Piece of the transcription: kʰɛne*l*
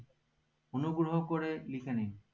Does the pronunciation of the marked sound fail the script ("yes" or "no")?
yes